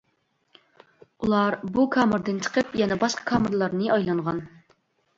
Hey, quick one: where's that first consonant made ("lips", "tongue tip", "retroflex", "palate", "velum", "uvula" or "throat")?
tongue tip